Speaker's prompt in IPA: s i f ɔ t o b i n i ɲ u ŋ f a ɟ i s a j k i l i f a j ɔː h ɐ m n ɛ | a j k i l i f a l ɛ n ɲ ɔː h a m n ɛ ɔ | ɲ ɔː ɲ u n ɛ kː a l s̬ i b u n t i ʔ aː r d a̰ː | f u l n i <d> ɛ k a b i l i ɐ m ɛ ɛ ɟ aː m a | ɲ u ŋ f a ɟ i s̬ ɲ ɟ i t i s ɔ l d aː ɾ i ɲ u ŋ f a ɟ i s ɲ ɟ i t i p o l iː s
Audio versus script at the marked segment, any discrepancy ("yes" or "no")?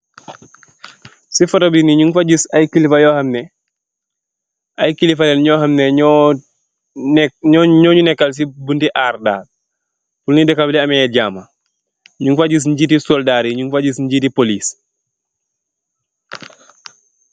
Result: no